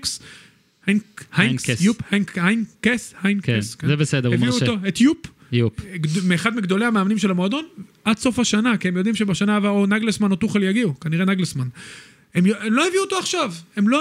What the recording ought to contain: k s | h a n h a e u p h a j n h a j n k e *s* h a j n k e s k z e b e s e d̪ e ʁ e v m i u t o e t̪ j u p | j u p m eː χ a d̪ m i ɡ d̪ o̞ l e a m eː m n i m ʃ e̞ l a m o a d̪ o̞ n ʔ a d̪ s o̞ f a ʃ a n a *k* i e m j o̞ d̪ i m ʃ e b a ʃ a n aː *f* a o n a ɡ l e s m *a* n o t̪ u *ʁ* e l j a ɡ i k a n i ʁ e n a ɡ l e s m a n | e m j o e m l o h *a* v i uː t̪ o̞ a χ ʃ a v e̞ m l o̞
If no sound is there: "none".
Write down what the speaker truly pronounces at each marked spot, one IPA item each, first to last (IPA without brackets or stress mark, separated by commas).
s, k, v, a, χ, e